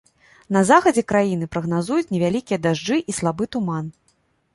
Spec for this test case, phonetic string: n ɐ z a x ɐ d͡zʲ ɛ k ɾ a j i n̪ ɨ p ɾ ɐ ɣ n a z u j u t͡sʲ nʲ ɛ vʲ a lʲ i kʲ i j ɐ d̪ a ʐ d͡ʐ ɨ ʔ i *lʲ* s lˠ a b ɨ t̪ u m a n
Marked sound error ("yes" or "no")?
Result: yes